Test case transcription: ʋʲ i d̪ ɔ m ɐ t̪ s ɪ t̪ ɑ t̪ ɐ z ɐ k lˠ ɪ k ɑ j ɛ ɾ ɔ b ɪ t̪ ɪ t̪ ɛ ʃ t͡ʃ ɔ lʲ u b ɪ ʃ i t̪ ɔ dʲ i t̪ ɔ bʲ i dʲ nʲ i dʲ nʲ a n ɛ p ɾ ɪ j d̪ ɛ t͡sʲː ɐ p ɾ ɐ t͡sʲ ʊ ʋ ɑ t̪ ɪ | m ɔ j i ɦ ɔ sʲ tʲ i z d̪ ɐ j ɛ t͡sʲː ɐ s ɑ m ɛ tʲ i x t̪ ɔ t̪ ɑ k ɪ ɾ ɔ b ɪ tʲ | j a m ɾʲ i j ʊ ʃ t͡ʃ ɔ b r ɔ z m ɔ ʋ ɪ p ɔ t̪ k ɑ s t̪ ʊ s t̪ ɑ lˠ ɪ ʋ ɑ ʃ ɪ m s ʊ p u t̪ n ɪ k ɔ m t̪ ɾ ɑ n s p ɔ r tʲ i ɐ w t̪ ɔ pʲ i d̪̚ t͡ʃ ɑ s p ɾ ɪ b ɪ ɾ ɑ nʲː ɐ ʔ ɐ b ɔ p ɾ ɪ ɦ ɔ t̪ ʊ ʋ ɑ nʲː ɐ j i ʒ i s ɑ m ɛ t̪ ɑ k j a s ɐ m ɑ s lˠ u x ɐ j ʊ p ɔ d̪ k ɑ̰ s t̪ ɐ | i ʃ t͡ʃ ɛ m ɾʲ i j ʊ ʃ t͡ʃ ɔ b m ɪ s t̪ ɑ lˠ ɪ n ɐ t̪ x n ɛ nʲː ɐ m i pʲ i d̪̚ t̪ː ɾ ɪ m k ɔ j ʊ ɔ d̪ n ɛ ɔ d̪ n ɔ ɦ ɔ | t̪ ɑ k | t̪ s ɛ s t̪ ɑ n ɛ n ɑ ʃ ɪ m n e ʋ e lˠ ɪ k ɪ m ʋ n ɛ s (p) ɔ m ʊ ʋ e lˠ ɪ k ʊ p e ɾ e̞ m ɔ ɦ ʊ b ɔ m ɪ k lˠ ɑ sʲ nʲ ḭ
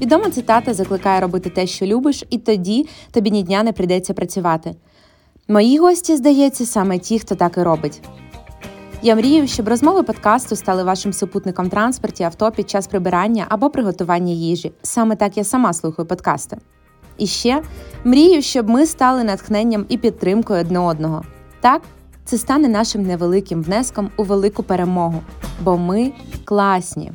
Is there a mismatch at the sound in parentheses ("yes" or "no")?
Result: yes